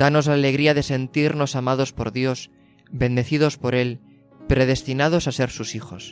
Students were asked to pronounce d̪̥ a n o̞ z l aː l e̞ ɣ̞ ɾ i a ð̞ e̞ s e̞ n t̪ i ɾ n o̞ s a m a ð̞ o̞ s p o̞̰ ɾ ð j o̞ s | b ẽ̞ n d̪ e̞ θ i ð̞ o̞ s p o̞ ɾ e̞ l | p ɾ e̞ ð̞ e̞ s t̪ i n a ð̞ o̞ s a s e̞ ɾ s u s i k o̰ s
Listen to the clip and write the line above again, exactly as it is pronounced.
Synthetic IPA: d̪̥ a n o̞ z l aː l e̞ ɣ̞ ɾ i a ð̞ e̞ s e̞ n t̪ i ɾ n o̞ s a m a ð̞ o̞ s p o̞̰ ɾ ð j o̞ s | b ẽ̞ n d̪ e̞ θ i ð̞ o̞ s p o̞ ɾ e̞ l | p ɾ e̞ ð̞ e̞ s t̪ i n a ð̞ o̞ s a s e̞ ɾ s u s i x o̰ s